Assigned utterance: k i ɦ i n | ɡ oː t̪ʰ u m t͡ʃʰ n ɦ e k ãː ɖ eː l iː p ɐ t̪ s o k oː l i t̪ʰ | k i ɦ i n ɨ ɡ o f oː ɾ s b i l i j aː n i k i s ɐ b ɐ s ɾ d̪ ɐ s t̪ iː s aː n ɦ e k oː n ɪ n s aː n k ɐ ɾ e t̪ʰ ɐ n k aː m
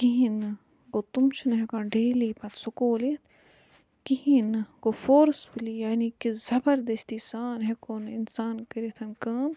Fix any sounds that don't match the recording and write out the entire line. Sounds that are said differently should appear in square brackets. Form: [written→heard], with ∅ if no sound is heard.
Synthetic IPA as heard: k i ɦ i n | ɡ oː [t̪ʰ→t̪] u m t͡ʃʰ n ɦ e k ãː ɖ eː l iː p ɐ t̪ s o k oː l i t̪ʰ | k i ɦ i n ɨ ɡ o f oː ɾ s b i l i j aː n i k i [s→z] ɐ b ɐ [s→∅] ɾ d̪ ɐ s t̪ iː s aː n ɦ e k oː n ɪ n s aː n k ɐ ɾ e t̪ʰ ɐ n k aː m

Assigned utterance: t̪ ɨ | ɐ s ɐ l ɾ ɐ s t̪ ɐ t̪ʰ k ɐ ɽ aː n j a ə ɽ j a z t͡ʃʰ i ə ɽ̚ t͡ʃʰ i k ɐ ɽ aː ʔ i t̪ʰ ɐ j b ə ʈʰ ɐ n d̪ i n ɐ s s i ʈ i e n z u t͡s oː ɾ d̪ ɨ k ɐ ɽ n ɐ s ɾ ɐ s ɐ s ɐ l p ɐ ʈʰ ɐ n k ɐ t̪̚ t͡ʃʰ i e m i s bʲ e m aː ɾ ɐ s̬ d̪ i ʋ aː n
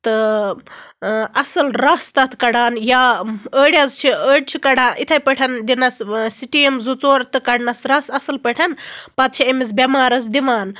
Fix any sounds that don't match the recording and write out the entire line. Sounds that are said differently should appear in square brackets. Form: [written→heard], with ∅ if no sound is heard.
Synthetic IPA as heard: t̪ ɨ | ɐ s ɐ l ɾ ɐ s t̪ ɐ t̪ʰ k ɐ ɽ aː n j a ə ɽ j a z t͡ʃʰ i ə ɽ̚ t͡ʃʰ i k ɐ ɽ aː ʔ i t̪ʰ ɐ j [b→p] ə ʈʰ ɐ n d̪ i n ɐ s s i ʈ i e [n→m] z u t͡s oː ɾ [d̪→t̪] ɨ k ɐ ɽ n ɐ s ɾ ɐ s ɐ s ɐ l p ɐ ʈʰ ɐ n [k→p] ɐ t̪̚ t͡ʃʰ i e m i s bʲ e m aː ɾ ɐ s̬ d̪ i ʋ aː n

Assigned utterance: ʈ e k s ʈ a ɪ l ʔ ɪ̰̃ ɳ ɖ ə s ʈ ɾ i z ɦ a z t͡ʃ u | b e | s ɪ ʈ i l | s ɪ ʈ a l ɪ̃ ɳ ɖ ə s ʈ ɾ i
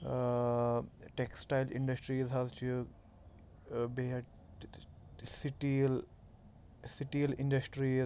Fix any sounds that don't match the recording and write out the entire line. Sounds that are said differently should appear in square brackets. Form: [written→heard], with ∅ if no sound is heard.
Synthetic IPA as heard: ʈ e k s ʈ a ɪ l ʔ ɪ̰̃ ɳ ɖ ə s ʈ ɾ i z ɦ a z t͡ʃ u | b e | s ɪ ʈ i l | s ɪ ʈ [a→i] l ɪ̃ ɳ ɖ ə s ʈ ɾ i

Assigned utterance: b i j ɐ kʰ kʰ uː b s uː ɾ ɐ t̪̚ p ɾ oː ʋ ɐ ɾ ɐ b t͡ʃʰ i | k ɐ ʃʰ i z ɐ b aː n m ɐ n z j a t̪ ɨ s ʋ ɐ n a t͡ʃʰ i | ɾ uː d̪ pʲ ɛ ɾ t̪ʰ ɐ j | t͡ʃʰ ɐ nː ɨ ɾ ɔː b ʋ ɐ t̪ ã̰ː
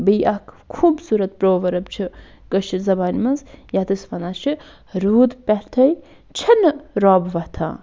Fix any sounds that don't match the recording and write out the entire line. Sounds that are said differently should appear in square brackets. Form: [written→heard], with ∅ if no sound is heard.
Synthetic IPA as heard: b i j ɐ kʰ kʰ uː b s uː ɾ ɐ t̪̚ p ɾ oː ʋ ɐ ɾ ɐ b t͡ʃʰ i | k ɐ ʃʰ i z ɐ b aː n m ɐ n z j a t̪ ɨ s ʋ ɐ n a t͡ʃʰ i | ɾ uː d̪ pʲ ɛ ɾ t̪ʰ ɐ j | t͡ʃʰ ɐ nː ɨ ɾ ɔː b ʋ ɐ [t̪→t̪ʰ] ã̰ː

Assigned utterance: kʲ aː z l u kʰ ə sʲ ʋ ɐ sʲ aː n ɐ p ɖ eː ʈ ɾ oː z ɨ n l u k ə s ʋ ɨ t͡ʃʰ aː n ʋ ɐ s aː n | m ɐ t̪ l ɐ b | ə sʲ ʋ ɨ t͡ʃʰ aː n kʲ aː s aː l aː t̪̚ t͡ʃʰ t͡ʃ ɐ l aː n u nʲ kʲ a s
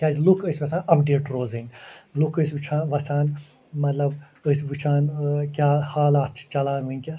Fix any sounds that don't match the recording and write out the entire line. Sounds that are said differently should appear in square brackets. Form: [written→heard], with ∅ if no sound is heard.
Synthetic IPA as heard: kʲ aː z l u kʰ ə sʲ ʋ ɐ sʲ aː n ɐ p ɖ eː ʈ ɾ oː z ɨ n l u k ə s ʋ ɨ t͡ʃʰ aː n ʋ ɐ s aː n | m ɐ t̪ l ɐ b | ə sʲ ʋ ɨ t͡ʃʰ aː n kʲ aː [s→h] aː l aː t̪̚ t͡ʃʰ t͡ʃ ɐ l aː n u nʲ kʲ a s

